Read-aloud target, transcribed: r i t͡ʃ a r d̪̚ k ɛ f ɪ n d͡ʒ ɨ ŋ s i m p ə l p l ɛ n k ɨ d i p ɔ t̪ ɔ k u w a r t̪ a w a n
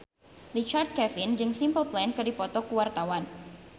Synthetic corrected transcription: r i t͡ʃ a r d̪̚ k ɛ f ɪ n d͡ʒ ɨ ŋ s i m p ə l p l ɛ n k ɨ d i p ɔ t̪ ɔ k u w a r t̪ a w a n